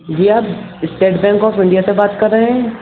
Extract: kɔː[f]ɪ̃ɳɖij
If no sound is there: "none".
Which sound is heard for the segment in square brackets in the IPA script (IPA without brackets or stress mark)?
f